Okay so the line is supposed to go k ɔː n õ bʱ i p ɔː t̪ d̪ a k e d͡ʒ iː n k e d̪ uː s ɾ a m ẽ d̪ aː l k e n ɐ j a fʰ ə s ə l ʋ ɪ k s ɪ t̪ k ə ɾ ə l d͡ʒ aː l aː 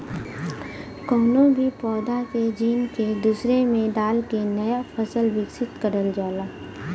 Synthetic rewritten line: k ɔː n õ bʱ i p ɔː d̪ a k e d͡ʒ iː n k e d̪ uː s ɾ e m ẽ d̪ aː l k e n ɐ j a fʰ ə s ə l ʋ ɪ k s ɪ t̪ k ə ɾ ə l d͡ʒ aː l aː